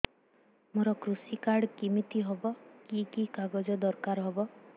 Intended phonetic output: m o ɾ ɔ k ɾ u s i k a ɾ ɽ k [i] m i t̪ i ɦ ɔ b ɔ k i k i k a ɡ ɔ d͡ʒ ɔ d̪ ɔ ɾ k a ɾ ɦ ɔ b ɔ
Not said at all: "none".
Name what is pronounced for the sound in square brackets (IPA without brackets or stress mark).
i